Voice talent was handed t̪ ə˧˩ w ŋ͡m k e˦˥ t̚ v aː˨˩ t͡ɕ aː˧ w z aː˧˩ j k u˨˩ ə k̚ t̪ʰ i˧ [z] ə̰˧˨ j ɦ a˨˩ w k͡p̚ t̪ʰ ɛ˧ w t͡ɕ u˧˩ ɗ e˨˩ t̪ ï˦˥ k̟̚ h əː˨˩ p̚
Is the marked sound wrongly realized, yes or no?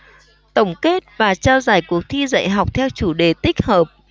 no